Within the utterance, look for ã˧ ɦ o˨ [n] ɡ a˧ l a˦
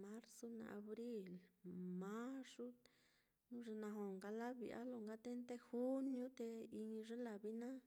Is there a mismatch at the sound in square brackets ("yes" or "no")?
yes